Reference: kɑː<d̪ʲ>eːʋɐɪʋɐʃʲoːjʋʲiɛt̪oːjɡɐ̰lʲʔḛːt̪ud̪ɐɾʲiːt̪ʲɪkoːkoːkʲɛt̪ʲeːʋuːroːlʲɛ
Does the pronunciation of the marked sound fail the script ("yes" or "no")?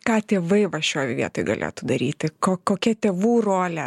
yes